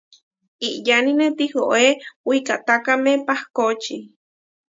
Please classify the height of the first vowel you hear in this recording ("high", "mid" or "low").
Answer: high